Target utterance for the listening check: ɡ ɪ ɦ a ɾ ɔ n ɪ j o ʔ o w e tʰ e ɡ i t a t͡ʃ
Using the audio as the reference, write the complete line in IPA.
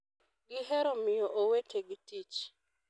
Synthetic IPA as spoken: ɡ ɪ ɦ ɛ ɾ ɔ m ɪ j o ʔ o w e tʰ e ɡ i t i t͡ʃ